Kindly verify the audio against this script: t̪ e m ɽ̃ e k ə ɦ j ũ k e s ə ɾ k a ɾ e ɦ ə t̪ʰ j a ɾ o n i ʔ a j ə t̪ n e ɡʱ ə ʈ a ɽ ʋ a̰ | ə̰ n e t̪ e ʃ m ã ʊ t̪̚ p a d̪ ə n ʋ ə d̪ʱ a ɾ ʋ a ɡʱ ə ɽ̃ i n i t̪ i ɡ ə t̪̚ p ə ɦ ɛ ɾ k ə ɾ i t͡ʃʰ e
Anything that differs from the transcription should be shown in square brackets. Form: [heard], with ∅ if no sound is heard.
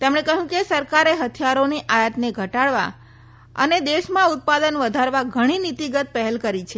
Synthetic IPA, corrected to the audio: t̪ e m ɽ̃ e k ə ɦ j ũ k e s ə ɾ k a ɾ e ɦ ə t̪ʰ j a ɾ o n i ʔ a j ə t̪ n e ɡʱ ə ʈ a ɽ ʋ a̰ | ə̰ n e [d̪] e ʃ m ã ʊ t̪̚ p a d̪ ə n ʋ ə d̪ʱ a ɾ ʋ a ɡʱ ə ɽ̃ i n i t̪ i ɡ ə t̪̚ p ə ɦ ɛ [l] k ə ɾ i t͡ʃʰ e